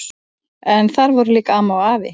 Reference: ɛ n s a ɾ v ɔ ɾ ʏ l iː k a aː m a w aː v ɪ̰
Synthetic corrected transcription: ɛ n θ a ɾ v ɔ ɾ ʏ l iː k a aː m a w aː v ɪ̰